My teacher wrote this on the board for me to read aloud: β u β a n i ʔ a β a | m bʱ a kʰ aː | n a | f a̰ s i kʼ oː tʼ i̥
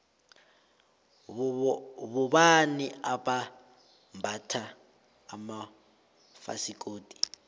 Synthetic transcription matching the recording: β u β a n i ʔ a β a | m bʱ a tʰ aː | m a | f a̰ s i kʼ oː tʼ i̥